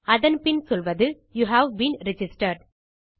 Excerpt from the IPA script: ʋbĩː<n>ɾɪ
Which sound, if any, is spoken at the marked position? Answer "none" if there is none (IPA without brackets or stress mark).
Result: n